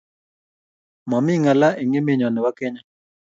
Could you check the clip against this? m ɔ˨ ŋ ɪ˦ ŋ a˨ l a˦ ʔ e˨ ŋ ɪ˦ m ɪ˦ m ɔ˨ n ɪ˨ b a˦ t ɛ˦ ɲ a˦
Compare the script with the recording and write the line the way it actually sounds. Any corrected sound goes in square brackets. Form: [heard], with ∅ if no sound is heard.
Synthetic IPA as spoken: m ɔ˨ [m] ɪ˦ ŋ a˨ l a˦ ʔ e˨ ŋ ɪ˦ m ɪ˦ [ɲ] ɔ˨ n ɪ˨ [w] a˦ [k] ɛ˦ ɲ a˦